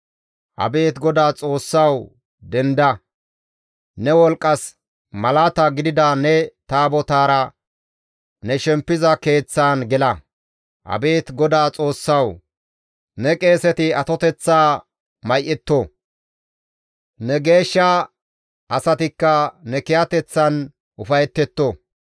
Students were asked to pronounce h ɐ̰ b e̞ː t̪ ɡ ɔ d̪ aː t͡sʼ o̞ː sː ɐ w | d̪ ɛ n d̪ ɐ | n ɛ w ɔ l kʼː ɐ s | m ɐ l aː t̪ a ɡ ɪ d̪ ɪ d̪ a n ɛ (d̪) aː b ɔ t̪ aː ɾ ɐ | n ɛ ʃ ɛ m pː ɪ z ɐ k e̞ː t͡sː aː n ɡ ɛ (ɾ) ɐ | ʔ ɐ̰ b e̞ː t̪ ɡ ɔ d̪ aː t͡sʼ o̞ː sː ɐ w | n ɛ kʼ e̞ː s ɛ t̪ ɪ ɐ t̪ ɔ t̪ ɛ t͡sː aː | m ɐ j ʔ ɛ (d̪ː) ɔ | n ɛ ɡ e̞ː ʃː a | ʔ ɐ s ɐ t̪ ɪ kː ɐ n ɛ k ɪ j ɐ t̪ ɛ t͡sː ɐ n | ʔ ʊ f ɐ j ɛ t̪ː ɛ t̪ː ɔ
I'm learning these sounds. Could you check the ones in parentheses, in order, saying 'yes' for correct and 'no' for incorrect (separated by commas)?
no, no, no